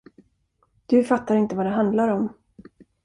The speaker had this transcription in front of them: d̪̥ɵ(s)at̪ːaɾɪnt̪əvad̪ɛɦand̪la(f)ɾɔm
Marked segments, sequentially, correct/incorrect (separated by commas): incorrect, incorrect